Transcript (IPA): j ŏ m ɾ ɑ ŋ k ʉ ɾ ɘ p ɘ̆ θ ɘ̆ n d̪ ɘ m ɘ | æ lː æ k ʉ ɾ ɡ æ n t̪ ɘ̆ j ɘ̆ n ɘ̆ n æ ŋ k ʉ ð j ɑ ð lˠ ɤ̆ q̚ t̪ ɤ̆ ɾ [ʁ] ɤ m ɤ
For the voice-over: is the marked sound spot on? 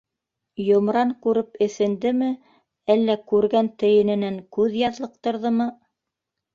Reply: no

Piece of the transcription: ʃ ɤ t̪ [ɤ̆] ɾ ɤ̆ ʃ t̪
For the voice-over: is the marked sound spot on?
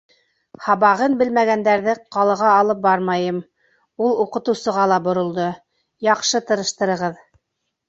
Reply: yes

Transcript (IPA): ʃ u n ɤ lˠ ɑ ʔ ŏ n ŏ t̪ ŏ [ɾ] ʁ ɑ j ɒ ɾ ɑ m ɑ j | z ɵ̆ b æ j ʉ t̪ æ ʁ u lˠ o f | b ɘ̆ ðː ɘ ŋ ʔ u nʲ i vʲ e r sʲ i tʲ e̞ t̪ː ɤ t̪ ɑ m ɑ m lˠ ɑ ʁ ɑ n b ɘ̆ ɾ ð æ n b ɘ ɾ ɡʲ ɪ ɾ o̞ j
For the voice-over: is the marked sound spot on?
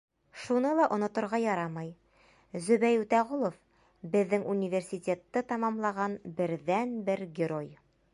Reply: yes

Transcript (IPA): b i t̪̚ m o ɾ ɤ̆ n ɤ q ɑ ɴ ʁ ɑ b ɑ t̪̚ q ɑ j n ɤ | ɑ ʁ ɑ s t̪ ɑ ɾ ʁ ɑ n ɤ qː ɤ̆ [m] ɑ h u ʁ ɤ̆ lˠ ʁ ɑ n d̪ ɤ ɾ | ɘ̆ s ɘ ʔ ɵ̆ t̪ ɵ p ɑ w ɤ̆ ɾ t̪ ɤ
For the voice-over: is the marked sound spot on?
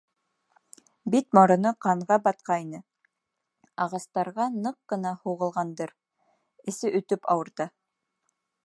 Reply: no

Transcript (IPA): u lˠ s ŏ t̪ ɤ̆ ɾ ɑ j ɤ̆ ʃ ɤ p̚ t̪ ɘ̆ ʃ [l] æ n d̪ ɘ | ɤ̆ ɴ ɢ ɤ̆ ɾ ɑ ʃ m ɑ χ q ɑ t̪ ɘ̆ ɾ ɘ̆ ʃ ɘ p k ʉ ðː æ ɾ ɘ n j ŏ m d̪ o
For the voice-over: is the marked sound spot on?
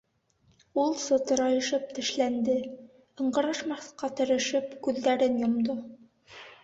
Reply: yes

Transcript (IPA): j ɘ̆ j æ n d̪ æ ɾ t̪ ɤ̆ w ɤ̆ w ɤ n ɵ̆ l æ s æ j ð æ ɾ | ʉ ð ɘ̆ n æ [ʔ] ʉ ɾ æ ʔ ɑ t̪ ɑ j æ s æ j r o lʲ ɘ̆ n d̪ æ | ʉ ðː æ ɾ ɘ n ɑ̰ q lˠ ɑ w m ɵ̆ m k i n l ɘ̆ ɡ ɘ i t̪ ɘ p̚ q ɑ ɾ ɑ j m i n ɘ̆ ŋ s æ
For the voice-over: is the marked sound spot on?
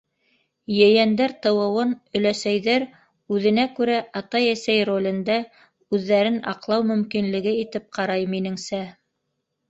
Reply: no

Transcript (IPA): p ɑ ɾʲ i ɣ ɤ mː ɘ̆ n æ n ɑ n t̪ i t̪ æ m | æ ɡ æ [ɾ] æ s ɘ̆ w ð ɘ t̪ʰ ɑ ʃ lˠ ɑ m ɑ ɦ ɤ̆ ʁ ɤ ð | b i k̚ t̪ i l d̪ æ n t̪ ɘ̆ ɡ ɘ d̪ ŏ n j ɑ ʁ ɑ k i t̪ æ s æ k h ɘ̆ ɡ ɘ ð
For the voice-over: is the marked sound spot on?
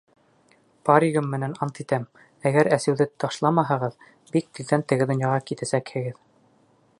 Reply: yes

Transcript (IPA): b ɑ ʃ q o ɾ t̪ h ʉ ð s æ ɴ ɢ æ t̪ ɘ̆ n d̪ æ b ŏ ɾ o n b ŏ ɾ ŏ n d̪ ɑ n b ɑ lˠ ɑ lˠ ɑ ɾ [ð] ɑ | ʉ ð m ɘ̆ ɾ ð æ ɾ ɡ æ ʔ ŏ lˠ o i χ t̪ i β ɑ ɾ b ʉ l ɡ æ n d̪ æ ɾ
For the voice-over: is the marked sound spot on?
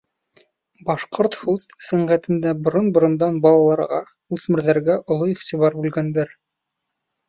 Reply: no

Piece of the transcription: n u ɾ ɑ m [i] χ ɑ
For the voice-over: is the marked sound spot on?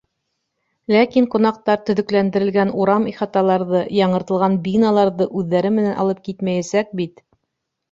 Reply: yes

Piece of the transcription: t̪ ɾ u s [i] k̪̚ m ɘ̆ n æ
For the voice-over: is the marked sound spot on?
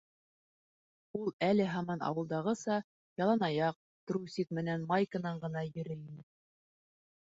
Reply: yes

